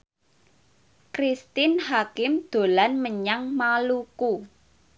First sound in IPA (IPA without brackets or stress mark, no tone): k